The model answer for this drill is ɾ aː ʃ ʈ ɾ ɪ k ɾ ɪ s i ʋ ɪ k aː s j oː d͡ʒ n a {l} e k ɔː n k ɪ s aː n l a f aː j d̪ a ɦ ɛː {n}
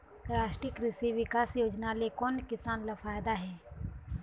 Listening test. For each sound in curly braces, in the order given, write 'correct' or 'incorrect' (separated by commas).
correct, incorrect